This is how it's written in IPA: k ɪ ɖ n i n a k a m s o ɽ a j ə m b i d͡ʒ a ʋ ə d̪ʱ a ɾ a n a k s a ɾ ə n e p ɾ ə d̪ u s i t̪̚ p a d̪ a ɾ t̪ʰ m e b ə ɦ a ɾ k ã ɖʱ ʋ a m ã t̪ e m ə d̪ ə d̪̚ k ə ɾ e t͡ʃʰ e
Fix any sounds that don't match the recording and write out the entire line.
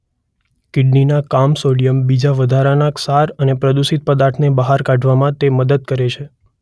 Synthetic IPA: k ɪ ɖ n i n a k a m s o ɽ i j ə m b i d͡ʒ a ʋ ə d̪ʱ a ɾ a n a k s a ɾ ə n e p ɾ ə d̪ u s i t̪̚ p ə d̪ a ɾ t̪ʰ n e b ə ɦ a ɾ k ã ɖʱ ʋ a m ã t̪ e m ə d̪ ə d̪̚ k ə ɾ e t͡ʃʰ e